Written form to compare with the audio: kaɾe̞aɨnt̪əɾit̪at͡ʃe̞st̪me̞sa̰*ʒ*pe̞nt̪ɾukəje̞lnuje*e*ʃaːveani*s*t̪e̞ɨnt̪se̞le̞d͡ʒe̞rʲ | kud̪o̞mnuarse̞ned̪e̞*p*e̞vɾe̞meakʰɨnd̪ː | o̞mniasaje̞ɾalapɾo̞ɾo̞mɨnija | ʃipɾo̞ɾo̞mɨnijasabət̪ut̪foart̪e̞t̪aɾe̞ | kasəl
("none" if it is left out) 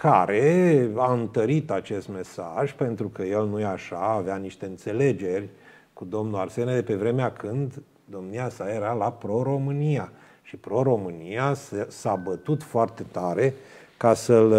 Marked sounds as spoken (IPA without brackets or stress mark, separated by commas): ʒ, a, ʃ, p